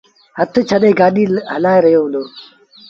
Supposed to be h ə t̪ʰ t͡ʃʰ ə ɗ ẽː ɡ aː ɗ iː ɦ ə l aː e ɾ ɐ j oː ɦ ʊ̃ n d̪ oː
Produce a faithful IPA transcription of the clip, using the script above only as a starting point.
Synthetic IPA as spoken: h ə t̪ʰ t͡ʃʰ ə ɗ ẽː ɡ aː ɗ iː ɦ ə l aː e ɾ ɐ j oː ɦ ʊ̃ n d̪ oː